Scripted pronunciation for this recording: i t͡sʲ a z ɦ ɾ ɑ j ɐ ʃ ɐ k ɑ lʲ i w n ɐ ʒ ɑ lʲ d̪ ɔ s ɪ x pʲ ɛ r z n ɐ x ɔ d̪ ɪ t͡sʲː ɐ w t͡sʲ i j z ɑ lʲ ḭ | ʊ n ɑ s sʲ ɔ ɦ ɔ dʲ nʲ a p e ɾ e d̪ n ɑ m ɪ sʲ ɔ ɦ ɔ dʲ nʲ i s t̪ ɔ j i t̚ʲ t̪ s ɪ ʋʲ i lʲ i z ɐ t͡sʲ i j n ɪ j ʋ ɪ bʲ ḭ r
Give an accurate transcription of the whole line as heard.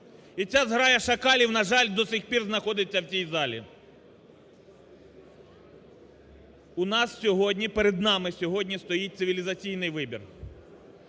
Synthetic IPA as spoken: i t͡sʲ a z ɦ ɾ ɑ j ɐ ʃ ɐ k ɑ lʲ i w n ɐ ʒ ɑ lʲ d̪ ɔ s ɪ x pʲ i r z n ɐ x ɔ d̪ ɪ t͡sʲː ɐ w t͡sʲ i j z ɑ lʲ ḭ | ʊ n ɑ s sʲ ɔ ɦ ɔ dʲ nʲ i p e ɾ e d̪ n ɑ m ɪ sʲ ɔ ɦ ɔ dʲ nʲ i s t̪ ɔ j i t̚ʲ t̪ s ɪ ʋʲ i lʲ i z ɐ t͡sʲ i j n ɪ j ʋ ɪ bʲ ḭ r